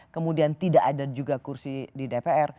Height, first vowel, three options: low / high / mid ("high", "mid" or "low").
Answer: mid